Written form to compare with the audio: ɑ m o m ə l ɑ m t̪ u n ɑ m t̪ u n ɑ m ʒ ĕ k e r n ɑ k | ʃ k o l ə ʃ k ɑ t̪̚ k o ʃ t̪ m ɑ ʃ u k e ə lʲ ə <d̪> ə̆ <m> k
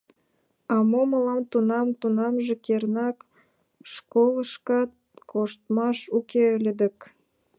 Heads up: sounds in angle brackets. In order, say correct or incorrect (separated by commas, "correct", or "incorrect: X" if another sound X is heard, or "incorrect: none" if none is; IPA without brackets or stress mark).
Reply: correct, incorrect: none